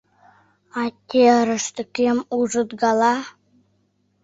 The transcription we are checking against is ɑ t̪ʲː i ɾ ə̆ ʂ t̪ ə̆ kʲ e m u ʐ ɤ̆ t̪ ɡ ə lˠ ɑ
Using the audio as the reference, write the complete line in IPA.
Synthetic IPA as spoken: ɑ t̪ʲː e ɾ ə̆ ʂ t̪ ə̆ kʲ e m u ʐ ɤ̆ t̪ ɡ ɑ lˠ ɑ

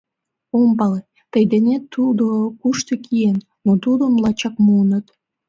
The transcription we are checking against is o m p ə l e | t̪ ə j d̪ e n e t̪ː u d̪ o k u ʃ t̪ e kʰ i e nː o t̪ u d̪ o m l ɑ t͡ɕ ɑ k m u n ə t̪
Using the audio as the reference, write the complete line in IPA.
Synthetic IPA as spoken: o m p ɑ l e | t̪ ə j d̪ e n e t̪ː u d̪ o k u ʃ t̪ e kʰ i e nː o t̪ u d̪ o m l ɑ t͡ɕ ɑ k m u n ə t̪

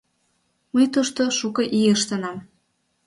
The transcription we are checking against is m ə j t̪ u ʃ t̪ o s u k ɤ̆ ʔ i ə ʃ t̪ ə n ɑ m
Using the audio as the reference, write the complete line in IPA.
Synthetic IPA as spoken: m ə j t̪ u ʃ t̪ o ʃ u k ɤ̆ ʔ i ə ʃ t̪ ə n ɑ m

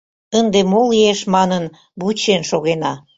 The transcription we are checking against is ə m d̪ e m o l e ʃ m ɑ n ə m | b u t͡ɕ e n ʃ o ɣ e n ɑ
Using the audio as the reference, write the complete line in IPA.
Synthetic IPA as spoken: ə n d̪ e m o l e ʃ m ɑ n ə n | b u t͡ɕ e n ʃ o ɣ e n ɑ

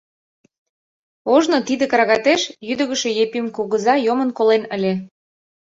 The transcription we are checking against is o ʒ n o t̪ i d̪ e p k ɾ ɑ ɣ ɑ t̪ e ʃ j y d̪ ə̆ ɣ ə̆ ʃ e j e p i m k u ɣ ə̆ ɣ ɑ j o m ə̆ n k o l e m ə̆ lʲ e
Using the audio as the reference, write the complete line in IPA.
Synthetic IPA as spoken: o ʒ n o t̪ i d̪ e k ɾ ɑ ɣ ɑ t̪ e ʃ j y d̪ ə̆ ɣ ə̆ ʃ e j e p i m k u ɣ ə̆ z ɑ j o m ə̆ n k o l e n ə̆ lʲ e

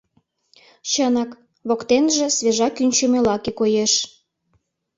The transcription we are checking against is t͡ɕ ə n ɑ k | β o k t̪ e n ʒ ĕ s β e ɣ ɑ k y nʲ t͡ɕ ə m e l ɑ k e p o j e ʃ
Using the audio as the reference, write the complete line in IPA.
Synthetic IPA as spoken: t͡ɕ ə n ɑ k | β o k t̪ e n ʒ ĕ s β e ʒ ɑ k y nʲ t͡ɕ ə m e l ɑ k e k o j e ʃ

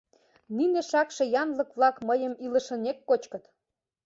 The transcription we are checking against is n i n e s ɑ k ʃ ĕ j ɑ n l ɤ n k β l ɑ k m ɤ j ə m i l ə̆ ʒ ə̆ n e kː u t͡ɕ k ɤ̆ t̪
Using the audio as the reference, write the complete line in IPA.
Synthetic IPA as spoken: n i n e ʃ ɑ k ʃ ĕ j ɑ n l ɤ k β l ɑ k m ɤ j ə m i l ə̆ ʃ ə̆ n e kː o t͡ɕ k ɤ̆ t̪

